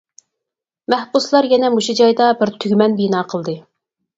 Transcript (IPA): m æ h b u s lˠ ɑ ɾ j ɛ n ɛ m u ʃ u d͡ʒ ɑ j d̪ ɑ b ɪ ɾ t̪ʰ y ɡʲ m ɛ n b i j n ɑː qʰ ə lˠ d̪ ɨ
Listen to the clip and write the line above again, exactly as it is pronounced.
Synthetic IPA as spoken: m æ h b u s lˠ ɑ ɾ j ɛ n ɛ m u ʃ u d͡ʒ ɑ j d̪ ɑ b ɪ ɾ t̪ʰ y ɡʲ m ɛ n b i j n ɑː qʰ ə lˠ d̪ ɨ